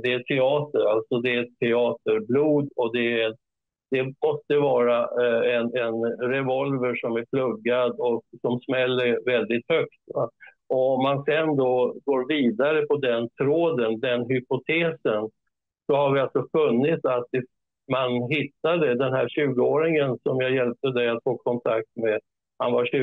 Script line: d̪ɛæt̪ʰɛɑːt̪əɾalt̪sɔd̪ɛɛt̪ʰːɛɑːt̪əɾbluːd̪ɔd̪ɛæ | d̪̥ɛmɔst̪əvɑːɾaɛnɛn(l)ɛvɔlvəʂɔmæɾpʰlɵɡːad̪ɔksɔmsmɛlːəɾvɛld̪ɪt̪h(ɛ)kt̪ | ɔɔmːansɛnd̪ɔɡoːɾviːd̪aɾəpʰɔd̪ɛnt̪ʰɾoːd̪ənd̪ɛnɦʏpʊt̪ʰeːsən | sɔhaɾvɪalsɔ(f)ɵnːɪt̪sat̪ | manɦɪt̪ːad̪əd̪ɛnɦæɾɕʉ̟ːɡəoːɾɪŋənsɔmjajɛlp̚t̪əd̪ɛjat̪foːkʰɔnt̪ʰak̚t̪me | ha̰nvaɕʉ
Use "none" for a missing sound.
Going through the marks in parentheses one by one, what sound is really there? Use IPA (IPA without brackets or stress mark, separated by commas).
ɾ, œ, f